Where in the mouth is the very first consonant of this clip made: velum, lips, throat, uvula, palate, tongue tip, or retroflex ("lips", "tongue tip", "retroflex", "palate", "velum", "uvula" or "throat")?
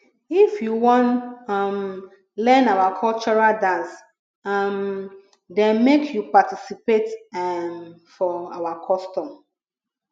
lips